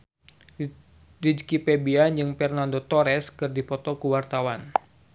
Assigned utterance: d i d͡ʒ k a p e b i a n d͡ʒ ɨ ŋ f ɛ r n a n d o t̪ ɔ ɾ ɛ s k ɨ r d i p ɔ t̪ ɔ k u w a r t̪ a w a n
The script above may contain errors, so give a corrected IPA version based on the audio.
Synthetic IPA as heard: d i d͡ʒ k i p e b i a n d͡ʒ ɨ ŋ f ɛ r n a n d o t̪ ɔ ɾ ɛ s k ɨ r d i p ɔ t̪ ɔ k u w a r t̪ a w a n